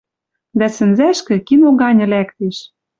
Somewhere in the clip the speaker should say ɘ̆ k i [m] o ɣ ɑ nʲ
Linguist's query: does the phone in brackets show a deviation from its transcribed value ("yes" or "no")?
yes